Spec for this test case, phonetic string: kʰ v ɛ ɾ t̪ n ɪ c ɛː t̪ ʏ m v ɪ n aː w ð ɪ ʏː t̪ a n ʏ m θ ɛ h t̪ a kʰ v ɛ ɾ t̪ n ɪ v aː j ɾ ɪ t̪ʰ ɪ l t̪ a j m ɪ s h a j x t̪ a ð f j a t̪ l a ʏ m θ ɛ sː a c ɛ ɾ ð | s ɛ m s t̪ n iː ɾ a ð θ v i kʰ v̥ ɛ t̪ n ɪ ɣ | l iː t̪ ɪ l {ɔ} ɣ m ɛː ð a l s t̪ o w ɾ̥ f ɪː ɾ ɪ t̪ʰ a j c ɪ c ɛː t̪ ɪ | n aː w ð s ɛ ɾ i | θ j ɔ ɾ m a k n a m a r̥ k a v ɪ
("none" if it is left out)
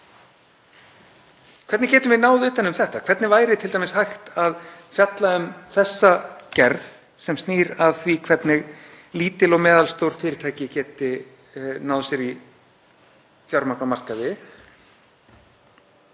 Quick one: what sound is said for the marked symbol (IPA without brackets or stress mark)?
ɔ